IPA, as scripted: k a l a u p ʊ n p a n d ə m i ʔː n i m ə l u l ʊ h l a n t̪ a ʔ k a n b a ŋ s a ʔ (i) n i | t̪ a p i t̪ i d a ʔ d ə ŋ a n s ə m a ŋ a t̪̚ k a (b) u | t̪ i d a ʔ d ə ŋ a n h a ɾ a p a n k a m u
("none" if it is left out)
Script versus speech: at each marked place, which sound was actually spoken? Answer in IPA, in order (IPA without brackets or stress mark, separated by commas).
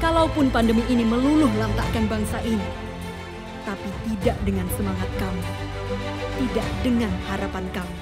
i, m